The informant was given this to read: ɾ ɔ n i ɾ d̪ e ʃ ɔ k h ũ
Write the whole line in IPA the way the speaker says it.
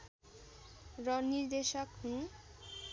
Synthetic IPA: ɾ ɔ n i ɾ d̪ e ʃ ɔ k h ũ